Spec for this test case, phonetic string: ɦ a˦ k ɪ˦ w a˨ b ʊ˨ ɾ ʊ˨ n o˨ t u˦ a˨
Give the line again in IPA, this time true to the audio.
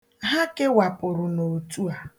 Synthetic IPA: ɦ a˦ k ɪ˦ w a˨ p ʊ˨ ɾ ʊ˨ n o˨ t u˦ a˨